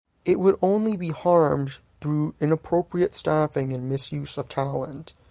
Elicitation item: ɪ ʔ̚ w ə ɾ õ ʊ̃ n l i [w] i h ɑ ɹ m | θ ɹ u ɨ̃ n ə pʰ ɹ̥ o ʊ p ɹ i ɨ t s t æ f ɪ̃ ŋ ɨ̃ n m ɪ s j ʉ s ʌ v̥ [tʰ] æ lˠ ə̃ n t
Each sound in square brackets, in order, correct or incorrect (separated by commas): incorrect, correct